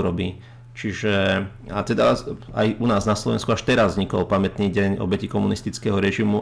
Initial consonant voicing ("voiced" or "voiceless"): voiced